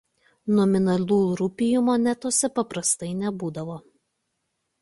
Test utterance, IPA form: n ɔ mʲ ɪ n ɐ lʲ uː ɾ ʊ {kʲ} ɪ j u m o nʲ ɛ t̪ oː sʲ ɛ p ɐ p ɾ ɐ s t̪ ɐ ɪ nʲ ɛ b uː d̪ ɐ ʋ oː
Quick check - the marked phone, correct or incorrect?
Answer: incorrect